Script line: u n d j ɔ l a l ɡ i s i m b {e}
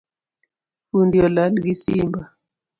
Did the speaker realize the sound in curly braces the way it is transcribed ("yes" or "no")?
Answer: no